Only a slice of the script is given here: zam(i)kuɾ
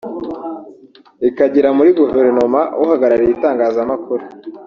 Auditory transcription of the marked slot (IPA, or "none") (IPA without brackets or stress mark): a